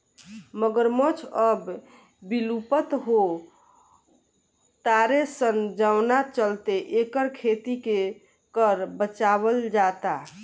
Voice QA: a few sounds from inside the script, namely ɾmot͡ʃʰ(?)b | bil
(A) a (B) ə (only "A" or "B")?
B